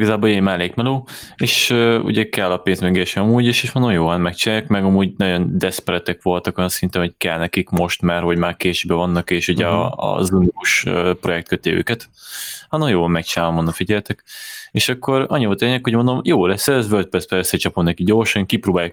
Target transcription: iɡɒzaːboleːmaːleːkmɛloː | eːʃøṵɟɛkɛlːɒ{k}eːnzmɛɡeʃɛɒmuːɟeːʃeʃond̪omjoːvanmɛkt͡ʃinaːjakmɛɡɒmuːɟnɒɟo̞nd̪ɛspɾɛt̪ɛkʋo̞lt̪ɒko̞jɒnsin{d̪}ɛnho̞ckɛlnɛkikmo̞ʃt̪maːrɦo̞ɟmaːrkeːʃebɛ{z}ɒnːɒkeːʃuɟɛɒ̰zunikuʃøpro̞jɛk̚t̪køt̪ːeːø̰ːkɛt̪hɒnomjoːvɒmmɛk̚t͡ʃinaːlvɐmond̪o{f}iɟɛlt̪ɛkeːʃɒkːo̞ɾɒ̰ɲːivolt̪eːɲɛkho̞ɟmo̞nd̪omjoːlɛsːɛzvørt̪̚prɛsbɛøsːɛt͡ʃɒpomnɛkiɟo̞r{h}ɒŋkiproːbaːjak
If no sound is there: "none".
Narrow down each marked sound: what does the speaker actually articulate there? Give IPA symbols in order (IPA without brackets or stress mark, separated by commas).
p, t̪, v, f, ʃ